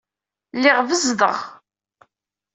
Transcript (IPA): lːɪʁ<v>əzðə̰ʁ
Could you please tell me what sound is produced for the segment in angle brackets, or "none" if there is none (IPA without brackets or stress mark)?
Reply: v